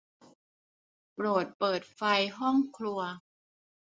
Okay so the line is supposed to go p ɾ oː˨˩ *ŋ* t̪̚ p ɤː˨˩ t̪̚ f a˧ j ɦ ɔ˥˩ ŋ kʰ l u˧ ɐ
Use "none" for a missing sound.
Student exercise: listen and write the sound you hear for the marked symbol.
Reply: none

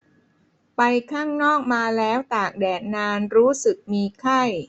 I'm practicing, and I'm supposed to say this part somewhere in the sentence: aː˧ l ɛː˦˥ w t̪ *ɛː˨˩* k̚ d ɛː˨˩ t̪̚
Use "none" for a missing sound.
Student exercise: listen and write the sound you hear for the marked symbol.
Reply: aː˨˩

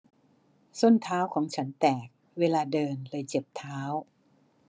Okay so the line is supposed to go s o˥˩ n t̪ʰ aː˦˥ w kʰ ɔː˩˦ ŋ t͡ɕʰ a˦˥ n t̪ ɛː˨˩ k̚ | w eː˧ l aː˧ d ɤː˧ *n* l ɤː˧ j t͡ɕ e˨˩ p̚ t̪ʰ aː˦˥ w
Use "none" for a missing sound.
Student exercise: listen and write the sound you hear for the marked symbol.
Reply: n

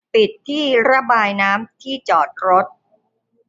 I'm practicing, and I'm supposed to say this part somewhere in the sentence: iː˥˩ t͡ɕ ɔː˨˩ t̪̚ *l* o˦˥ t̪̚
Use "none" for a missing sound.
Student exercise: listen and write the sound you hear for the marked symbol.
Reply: ɾ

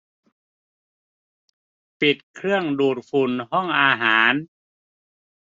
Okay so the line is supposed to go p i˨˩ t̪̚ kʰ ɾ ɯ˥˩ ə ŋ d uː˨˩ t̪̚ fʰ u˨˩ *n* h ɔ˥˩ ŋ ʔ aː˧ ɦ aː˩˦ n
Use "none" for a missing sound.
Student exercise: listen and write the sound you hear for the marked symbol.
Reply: n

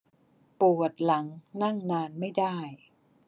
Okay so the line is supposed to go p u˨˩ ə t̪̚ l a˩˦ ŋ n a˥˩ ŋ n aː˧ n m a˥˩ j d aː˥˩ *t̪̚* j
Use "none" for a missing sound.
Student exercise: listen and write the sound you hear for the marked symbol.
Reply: none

